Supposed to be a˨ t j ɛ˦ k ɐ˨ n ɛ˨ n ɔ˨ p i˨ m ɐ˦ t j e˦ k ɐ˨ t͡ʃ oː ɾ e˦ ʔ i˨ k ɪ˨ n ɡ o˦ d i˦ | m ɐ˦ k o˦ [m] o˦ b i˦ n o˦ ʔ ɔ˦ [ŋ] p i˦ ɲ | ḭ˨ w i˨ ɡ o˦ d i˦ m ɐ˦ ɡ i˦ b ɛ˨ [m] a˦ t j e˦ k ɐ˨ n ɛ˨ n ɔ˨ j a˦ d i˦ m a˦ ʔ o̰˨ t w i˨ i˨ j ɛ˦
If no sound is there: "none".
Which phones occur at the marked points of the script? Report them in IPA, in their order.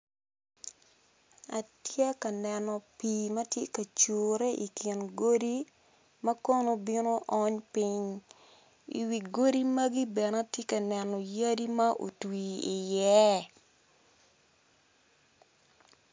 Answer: n, ɲ, n

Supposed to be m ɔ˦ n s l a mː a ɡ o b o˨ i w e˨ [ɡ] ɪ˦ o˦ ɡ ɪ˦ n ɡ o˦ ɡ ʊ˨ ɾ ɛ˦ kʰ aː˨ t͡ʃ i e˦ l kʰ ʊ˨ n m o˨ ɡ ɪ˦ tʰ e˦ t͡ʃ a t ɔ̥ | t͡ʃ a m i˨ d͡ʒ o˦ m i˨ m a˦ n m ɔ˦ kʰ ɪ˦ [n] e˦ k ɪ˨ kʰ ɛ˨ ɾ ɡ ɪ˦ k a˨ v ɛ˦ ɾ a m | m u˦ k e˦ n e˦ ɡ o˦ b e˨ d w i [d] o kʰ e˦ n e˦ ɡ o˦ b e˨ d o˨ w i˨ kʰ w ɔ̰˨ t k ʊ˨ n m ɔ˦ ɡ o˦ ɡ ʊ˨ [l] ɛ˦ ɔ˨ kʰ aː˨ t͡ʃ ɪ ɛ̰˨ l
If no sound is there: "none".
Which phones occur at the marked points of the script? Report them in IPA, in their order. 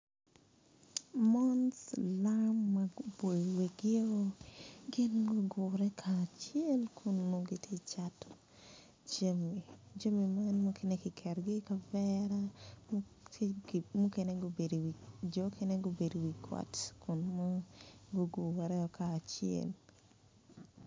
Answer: ɡ, n, d͡ʒ, ɾ

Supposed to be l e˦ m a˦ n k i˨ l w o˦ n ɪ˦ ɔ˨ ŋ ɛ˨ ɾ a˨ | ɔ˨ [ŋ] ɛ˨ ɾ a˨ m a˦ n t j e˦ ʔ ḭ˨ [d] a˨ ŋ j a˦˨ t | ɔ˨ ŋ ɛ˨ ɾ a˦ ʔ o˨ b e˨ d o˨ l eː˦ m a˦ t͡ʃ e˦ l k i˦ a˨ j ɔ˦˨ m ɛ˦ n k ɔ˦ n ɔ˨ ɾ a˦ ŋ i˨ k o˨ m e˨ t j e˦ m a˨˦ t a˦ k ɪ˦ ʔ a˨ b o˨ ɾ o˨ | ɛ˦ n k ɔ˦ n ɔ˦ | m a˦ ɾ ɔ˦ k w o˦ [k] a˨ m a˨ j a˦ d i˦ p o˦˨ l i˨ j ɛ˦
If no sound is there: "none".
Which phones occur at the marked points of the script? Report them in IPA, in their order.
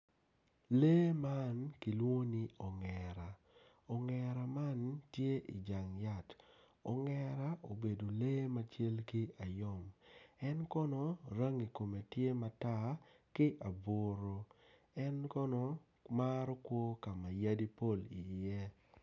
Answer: ŋ, d͡ʒ, k

